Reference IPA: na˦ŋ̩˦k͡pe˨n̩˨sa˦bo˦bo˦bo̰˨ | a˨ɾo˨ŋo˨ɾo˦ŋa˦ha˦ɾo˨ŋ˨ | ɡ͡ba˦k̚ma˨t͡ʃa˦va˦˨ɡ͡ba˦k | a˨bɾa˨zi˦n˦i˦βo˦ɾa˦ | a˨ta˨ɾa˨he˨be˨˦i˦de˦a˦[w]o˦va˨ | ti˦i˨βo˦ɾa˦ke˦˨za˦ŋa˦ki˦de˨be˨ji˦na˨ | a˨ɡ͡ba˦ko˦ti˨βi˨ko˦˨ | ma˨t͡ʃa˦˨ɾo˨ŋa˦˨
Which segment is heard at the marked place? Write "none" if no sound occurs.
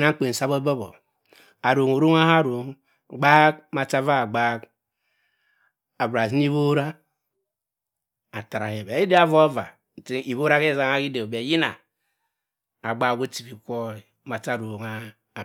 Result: v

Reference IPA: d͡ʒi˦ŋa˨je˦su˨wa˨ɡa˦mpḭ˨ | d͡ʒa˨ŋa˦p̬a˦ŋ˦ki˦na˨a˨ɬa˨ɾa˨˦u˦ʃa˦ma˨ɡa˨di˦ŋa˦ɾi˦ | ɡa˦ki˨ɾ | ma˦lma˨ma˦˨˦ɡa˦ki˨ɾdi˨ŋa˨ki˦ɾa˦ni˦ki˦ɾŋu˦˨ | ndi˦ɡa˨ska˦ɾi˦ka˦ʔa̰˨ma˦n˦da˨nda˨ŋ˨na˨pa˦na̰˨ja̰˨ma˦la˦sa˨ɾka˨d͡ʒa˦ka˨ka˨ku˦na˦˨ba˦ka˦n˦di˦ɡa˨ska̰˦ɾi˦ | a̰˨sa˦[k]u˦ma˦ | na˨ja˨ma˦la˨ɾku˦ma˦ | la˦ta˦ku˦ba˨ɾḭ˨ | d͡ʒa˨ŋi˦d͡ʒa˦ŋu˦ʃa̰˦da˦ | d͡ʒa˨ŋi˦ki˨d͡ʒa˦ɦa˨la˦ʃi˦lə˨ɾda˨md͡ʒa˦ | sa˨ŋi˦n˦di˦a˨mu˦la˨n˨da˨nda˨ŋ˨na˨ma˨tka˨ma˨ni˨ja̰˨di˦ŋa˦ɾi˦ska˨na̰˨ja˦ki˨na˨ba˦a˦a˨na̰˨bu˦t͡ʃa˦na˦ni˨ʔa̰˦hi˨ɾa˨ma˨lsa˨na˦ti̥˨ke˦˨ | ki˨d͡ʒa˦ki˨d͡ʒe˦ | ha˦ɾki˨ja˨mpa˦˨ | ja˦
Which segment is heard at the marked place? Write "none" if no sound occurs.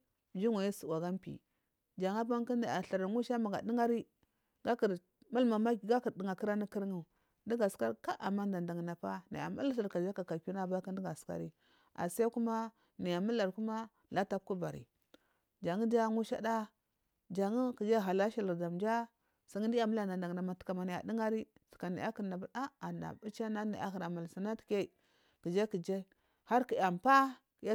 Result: k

